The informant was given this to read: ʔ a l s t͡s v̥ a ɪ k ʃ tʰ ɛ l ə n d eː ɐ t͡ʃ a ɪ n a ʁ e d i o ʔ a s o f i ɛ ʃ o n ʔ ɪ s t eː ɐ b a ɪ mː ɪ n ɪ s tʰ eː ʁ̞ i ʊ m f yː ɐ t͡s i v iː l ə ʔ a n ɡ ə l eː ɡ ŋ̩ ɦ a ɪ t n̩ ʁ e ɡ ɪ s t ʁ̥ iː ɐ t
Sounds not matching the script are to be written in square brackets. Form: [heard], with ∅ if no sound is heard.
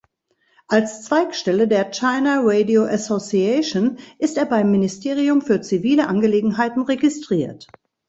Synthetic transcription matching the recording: ʔ a l s t͡s v̥ a ɪ k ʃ [t] ɛ l ə [∅] d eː ɐ t͡ʃ a ɪ n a ʁ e d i o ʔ a s o [s] i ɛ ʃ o n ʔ ɪ s t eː ɐ b a ɪ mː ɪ n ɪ s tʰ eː ʁ̞ i ʊ m f yː ɐ t͡s i v iː l ə ʔ a n ɡ ə l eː ɡ ŋ̩ ɦ a ɪ t n̩ ʁ e ɡ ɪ s t ʁ̥ iː ɐ t